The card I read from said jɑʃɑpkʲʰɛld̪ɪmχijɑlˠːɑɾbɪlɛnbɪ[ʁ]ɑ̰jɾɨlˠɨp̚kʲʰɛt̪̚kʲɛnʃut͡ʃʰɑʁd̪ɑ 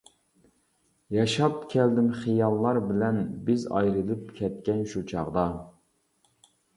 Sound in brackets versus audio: incorrect: z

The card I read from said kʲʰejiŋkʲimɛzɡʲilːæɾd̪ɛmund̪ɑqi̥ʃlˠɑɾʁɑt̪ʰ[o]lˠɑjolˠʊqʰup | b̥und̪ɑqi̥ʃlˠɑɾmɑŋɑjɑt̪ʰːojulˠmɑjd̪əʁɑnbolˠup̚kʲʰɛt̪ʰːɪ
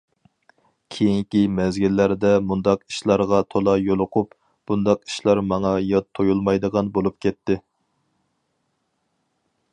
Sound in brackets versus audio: correct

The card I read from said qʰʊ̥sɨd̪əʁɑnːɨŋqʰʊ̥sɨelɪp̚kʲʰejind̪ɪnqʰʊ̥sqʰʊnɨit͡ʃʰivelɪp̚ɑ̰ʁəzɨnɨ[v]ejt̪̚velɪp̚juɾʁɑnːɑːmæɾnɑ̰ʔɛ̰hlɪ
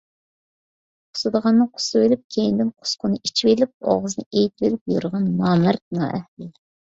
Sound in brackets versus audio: incorrect: none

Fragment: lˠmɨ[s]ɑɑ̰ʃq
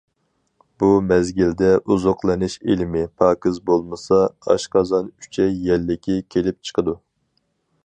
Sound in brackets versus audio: correct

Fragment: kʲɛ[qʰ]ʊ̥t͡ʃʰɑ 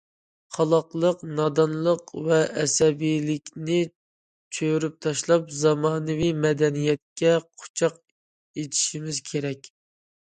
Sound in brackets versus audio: correct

